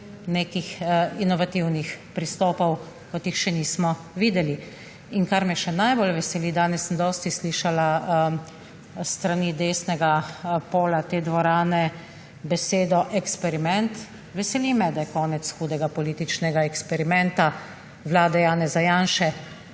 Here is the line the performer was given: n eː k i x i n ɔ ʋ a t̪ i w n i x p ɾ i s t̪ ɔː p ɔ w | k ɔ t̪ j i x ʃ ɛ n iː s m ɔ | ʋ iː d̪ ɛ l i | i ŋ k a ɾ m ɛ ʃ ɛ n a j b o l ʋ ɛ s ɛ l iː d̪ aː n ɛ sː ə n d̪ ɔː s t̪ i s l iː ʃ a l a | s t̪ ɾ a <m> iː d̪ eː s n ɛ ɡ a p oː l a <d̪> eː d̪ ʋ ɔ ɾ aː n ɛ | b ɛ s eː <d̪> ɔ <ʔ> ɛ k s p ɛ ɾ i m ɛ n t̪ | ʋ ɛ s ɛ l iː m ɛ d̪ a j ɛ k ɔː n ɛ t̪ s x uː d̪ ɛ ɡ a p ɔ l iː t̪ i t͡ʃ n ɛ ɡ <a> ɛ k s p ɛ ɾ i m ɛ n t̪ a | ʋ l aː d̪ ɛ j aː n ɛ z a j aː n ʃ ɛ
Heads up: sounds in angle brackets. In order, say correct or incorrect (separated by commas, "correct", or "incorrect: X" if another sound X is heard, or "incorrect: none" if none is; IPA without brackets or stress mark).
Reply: incorrect: n, incorrect: t̪, correct, correct, correct